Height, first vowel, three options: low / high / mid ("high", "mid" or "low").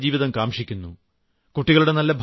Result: high